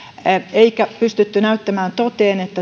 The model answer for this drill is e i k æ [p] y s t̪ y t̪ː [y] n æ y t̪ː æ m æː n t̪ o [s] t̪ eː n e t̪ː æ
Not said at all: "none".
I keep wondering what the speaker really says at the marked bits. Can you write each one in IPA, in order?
p, y, none

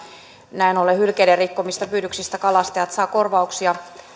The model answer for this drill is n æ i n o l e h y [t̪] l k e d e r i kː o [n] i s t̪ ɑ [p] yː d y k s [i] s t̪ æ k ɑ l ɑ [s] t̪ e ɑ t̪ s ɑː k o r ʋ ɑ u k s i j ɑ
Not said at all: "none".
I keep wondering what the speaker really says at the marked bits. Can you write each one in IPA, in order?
none, m, p, i, s

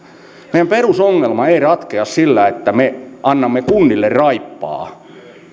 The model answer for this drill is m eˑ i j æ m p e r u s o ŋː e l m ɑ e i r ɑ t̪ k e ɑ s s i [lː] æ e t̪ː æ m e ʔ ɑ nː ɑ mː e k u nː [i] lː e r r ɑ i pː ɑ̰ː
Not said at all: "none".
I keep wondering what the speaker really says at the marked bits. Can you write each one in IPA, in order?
lː, i

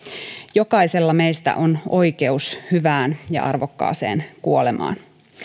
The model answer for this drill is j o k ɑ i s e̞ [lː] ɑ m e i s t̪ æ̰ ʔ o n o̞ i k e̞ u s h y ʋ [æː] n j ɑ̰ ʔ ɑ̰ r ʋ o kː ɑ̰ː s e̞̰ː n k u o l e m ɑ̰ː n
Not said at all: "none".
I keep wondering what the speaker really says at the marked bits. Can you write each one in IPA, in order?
lː, æː

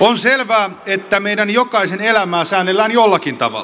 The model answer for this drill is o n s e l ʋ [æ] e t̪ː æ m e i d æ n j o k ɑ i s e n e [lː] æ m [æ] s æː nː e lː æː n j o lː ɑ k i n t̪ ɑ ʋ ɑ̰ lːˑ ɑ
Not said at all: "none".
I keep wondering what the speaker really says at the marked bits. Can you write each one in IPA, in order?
æː, l, æː

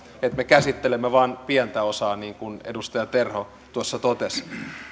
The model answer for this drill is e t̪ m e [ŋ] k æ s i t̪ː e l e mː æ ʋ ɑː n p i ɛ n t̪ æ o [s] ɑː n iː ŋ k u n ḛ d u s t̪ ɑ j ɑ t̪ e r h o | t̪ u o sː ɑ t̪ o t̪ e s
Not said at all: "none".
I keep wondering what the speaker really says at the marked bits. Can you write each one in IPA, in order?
none, s

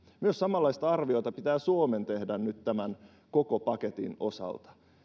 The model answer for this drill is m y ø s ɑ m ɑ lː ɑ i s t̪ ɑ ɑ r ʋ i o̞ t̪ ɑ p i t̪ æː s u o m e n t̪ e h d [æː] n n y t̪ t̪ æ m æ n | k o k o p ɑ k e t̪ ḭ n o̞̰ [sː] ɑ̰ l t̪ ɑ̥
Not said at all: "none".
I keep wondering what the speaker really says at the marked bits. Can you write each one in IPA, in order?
æ, s

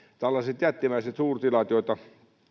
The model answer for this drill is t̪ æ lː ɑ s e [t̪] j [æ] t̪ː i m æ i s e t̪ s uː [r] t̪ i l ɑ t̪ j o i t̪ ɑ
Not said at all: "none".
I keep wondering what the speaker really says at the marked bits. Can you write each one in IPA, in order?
t̪, æ, r

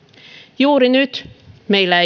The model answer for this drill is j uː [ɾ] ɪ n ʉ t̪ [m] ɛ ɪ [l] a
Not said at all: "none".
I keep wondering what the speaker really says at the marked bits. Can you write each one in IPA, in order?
ɾ, m, l

